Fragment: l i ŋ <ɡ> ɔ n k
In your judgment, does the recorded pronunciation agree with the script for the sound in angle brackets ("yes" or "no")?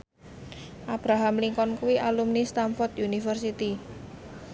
no